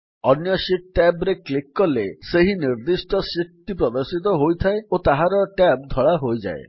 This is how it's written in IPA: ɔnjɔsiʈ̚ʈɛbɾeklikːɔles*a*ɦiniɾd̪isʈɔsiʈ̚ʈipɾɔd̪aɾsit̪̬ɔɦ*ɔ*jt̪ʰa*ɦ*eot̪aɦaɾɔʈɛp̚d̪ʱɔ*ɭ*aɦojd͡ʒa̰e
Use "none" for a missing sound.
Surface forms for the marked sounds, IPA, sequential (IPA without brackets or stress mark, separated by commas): e, o, none, ɭ